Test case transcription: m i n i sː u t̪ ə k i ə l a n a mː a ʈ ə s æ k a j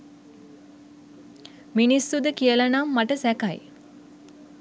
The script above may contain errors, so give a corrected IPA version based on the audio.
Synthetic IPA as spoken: m i n i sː u d̪ ə k i ə l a n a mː a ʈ ə s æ k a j